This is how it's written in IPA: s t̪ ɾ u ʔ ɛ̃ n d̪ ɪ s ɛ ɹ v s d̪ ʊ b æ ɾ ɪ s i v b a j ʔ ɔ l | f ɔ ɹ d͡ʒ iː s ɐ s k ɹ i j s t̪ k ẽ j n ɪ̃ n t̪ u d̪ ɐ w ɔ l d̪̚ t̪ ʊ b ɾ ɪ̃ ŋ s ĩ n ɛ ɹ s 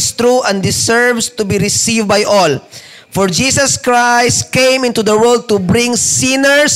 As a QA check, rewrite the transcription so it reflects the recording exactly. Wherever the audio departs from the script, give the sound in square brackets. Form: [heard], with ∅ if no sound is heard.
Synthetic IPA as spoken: s t̪ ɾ u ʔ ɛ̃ n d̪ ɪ s ɛ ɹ v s [t̪] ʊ b [i] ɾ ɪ s i v b a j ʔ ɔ l | f ɔ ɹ d͡ʒ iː s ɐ s k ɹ [a] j s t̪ k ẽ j [m] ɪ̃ n t̪ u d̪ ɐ w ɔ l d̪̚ t̪ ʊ b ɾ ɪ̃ ŋ s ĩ n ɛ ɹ s